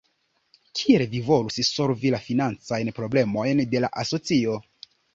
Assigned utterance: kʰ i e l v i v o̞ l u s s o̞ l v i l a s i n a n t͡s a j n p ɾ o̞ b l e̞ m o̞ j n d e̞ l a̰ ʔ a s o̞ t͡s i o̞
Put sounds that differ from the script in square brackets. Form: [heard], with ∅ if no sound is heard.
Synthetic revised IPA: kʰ i e l v i v o̞ l u s s o̞ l v i l a [f] i n a n t͡s a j n p ɾ o̞ b l e̞ m o̞ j n d e̞ l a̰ ʔ a s o̞ t͡s i o̞